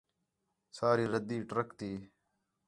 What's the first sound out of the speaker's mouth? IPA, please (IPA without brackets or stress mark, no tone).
s